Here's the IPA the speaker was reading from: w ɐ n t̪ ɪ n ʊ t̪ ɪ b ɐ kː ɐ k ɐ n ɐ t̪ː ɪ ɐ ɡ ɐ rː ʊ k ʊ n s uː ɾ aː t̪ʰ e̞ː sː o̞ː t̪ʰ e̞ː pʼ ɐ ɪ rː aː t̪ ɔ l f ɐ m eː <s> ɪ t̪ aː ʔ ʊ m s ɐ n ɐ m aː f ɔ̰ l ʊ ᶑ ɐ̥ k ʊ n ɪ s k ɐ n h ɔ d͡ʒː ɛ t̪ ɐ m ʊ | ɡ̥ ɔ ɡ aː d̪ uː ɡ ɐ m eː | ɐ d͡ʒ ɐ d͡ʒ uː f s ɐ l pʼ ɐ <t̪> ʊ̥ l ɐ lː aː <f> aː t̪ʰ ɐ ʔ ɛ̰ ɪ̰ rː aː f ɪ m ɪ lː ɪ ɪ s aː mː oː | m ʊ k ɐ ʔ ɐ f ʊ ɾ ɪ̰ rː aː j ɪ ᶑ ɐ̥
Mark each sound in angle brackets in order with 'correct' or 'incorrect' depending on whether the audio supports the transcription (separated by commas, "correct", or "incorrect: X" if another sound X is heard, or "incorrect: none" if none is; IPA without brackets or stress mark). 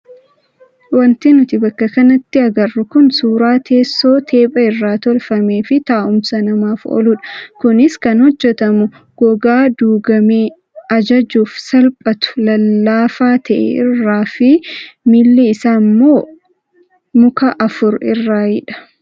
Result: incorrect: f, correct, correct